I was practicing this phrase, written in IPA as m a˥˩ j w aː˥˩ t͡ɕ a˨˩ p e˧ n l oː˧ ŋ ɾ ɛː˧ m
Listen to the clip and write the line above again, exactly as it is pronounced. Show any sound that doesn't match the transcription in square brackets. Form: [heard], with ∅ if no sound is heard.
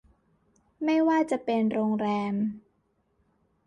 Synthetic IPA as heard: m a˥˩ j w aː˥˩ t͡ɕ a˨˩ p e˧ n [ɾ] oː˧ ŋ ɾ ɛː˧ m